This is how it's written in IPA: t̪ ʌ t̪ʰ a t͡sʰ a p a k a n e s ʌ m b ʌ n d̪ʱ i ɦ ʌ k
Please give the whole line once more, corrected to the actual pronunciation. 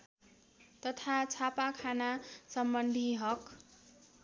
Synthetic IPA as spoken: t̪ ʌ t̪ʰ a t͡sʰ a p a kʰ a n a s ʌ m b ʌ n d̪ʱ i ɦ ʌ k